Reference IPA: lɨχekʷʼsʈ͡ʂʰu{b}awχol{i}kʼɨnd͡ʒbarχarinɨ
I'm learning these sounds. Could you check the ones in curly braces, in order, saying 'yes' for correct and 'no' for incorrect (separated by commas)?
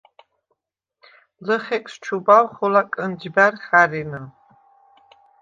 yes, no